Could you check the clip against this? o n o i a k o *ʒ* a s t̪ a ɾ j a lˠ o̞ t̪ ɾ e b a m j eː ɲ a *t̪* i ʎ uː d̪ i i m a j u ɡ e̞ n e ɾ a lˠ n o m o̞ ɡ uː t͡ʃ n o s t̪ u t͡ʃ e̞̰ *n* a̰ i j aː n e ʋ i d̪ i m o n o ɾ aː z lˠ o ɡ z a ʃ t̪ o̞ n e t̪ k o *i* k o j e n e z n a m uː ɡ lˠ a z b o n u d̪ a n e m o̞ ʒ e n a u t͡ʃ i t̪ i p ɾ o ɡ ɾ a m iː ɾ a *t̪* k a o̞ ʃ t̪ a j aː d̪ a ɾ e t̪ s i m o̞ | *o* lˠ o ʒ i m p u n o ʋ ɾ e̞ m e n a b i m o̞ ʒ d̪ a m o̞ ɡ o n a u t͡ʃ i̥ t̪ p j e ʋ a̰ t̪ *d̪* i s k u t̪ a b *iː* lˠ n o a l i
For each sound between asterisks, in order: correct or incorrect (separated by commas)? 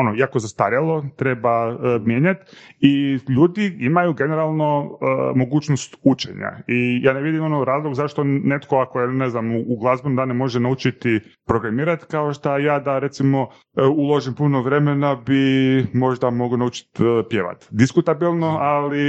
incorrect, correct, incorrect, incorrect, correct, incorrect, correct, incorrect